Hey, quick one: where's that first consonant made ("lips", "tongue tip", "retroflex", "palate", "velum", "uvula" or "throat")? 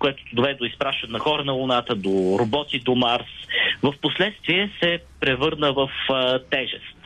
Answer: velum